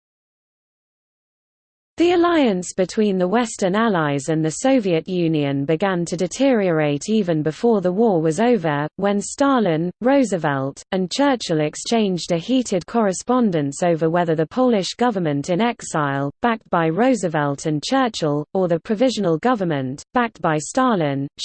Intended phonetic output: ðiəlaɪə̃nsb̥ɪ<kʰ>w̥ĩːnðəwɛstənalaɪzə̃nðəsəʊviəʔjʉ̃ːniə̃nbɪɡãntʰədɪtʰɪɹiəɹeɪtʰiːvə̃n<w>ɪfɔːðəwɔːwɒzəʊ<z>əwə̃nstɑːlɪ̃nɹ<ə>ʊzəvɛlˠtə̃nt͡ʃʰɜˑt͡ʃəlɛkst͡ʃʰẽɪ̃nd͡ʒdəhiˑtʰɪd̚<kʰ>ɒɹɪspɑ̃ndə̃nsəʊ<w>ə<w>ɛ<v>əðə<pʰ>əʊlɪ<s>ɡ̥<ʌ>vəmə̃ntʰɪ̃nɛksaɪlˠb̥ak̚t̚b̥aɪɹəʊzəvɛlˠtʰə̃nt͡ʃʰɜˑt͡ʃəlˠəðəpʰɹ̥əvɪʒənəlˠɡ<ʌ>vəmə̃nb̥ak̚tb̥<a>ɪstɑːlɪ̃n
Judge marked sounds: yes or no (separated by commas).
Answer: no, no, no, yes, yes, no, yes, no, yes, no, yes, yes, yes